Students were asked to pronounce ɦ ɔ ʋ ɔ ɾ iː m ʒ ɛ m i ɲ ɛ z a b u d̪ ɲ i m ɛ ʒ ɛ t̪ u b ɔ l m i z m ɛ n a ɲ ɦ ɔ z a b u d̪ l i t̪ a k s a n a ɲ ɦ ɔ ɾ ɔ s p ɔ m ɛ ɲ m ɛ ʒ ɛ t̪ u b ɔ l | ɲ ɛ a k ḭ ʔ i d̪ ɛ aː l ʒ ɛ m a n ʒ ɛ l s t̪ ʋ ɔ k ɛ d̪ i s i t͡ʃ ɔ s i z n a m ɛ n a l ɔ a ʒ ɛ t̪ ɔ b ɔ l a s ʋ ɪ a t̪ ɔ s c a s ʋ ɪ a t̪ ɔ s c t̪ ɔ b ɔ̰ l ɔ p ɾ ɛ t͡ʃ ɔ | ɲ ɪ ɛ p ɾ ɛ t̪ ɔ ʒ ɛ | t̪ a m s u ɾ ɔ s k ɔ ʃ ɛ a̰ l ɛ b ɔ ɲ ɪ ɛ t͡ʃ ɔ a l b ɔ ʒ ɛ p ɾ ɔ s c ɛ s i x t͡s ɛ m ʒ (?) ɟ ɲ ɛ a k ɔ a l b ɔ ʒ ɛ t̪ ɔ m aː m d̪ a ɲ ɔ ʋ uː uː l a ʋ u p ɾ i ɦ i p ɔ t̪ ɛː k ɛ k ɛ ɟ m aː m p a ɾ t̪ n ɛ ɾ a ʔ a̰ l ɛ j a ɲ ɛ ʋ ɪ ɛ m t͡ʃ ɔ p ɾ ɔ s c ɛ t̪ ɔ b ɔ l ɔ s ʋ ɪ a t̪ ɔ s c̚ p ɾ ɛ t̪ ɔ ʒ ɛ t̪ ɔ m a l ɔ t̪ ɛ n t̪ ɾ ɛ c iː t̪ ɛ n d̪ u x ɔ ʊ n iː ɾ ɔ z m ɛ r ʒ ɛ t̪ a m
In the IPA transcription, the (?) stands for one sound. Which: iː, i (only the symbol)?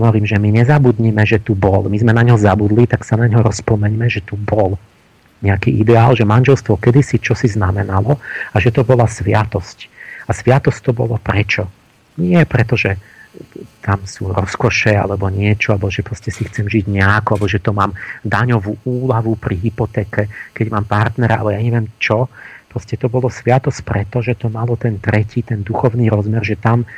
i